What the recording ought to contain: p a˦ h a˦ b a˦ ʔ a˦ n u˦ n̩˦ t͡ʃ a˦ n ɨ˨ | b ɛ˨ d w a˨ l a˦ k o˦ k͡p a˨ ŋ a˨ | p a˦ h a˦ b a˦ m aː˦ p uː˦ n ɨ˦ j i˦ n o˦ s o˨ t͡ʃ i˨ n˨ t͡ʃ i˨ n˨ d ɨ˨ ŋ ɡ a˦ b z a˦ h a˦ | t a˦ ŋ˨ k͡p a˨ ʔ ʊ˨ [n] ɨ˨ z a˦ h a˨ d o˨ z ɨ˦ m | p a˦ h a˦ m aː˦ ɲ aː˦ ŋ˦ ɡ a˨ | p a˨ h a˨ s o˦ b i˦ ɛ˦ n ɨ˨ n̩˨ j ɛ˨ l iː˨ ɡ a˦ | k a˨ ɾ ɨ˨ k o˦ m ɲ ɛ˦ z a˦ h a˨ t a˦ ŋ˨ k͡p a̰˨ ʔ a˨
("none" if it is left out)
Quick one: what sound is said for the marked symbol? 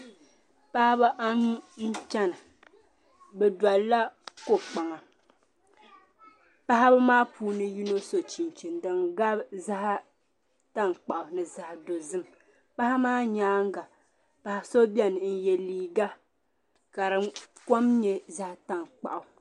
n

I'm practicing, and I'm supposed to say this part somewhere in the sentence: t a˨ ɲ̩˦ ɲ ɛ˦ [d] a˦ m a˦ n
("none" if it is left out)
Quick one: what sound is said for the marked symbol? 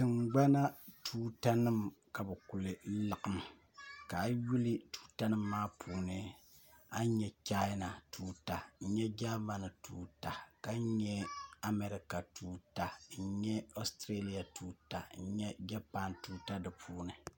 d͡ʒ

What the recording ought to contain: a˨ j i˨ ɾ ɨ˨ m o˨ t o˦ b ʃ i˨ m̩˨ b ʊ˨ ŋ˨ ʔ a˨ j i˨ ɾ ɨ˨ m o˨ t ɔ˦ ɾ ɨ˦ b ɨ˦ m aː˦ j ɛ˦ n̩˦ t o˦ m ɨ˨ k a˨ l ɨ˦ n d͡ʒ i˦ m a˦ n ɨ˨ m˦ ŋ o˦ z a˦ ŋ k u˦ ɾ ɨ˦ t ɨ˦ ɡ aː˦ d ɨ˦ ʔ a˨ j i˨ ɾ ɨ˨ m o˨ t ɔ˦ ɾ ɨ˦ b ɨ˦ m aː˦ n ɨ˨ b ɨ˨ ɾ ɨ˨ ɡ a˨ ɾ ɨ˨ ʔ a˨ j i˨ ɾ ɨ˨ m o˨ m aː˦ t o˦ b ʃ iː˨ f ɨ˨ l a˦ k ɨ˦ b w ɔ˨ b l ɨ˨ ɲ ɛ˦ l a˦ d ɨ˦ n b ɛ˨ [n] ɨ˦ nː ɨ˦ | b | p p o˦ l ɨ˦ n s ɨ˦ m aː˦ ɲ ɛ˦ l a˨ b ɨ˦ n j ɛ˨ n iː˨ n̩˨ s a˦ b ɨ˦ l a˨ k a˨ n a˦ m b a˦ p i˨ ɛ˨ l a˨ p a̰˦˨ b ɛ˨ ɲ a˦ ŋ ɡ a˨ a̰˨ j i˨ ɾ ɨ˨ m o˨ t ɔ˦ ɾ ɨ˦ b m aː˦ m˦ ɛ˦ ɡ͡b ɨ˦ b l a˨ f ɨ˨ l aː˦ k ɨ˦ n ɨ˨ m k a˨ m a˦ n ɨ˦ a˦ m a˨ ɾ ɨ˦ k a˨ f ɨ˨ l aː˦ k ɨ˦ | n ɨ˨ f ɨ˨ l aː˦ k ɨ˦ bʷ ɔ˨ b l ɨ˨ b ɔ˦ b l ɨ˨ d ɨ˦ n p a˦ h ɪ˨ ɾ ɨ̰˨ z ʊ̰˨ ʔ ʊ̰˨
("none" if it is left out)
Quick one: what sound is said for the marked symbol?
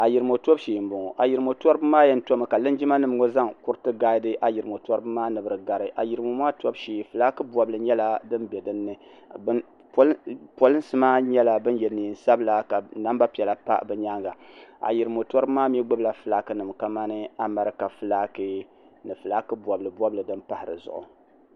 d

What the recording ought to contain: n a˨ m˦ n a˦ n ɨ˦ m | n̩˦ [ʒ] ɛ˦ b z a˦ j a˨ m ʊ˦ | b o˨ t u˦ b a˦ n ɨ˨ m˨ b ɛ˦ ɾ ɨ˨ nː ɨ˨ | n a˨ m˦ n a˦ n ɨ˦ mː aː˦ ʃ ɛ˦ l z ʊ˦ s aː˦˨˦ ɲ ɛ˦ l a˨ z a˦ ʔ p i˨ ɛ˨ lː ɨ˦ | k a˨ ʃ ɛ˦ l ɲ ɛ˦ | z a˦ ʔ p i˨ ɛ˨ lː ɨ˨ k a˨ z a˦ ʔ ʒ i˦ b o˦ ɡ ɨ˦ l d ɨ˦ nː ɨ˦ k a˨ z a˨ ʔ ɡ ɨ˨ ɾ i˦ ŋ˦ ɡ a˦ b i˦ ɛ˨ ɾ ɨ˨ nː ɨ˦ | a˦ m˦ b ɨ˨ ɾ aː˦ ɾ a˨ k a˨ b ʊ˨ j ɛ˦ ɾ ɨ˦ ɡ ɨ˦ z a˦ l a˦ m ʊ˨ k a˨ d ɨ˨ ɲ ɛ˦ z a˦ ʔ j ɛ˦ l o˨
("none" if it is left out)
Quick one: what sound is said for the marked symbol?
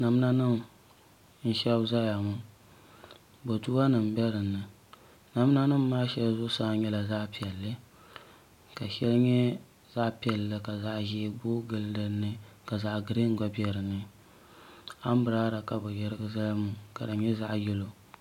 ʃ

